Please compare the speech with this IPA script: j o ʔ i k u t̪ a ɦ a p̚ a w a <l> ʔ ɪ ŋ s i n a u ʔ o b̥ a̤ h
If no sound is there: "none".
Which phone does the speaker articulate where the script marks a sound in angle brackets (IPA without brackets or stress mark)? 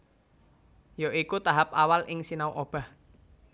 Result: l